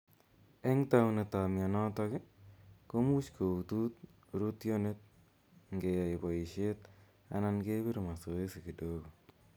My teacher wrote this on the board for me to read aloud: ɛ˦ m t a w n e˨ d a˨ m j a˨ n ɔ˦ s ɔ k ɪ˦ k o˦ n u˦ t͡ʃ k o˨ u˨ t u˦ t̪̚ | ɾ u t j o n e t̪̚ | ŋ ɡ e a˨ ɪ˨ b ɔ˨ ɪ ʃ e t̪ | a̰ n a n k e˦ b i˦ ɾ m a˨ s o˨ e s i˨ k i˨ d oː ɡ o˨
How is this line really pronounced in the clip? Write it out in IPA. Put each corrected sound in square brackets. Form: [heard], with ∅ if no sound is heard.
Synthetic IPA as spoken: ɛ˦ [ŋ] t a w n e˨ [t] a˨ m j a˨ n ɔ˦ [t] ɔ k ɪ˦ k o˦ [m] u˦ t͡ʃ k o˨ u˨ t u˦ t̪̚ | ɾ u t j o n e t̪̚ | ŋ ɡ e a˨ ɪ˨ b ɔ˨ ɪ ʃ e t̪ | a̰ n a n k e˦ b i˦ ɾ m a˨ s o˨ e s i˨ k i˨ d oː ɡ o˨

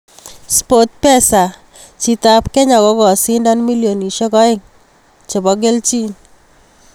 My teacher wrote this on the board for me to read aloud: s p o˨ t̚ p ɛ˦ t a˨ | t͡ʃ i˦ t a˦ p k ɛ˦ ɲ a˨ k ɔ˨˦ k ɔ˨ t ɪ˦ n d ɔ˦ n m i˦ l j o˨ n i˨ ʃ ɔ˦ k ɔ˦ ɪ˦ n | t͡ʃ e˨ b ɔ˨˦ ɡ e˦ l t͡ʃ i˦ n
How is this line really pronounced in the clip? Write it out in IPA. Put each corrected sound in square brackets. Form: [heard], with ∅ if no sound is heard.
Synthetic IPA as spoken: s p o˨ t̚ p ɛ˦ [s] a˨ | t͡ʃ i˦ t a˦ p k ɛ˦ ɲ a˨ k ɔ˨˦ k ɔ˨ [s] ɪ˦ n d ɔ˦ n m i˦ l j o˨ n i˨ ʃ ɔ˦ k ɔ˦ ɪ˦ [ŋ] | t͡ʃ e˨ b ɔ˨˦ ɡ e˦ l t͡ʃ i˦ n

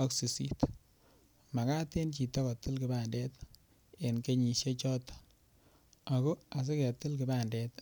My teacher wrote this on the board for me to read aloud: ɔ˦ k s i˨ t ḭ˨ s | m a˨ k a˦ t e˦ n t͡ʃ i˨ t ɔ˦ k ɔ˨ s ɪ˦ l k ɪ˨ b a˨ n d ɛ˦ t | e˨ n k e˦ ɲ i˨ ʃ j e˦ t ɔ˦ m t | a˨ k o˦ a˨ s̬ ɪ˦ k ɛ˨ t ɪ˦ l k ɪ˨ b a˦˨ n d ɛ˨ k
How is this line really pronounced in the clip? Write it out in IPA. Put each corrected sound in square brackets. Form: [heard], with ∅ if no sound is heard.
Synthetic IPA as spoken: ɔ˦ k s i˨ [s] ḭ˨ [t] | m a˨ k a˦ t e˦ n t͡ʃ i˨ t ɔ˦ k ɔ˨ [t] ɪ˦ l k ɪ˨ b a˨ n d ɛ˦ t | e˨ n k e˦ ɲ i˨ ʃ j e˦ [t͡ʃ] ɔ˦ [∅] t | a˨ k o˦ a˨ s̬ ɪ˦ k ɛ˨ t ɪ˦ l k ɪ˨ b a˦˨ n d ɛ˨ [t]

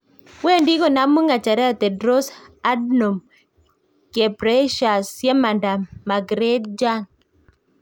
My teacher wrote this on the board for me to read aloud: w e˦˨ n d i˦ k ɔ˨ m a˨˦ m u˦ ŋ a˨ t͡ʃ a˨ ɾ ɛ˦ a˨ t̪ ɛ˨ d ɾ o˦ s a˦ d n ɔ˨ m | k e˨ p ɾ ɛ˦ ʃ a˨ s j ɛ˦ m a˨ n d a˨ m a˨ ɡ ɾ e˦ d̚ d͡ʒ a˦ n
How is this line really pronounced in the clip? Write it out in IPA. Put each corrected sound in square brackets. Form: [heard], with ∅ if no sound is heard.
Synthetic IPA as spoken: w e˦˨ n d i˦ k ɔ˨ [n] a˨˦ m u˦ ŋ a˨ t͡ʃ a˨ ɾ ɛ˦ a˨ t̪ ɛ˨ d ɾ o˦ s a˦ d n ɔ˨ m | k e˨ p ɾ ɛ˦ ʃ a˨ s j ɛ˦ m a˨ n d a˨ m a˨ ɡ ɾ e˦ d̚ d͡ʒ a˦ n

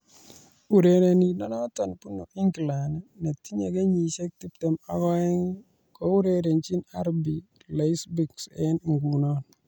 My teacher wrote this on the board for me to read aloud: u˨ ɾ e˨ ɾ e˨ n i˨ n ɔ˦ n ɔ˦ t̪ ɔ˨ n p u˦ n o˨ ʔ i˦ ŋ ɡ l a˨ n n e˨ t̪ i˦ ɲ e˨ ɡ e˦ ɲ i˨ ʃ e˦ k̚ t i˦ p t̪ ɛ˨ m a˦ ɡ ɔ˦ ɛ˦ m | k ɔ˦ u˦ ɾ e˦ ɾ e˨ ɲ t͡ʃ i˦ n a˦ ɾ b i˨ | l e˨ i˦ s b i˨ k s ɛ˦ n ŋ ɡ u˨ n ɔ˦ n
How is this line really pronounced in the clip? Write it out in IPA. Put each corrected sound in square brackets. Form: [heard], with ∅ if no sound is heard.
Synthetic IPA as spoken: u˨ ɾ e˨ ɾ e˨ n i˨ n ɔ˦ n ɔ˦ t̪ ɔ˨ n p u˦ n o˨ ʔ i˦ ŋ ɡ l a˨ n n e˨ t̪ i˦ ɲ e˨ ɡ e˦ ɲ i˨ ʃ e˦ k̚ t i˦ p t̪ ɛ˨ m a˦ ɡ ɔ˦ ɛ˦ [ŋ] | k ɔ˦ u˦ ɾ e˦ ɾ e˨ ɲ t͡ʃ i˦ n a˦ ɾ b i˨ | l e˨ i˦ s b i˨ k s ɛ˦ n ŋ ɡ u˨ n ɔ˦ n

